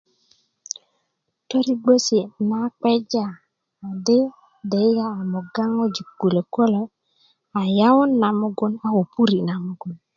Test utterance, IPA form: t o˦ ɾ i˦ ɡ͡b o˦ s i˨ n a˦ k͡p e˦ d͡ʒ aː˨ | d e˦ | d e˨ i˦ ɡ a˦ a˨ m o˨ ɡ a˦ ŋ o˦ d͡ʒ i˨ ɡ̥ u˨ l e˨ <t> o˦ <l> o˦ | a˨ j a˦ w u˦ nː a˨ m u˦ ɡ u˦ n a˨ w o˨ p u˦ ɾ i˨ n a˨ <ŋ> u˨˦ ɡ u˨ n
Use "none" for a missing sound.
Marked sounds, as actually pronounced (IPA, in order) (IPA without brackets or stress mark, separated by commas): k, l, m